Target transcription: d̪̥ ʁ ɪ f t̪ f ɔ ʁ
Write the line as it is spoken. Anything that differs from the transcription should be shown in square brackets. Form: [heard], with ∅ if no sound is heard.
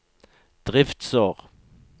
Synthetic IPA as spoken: d̪̥ ʁ ɪ f t̪ [s] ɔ ʁ